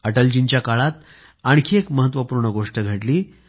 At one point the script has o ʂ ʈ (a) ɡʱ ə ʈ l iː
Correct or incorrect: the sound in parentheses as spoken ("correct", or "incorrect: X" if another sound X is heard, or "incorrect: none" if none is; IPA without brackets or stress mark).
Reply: incorrect: ə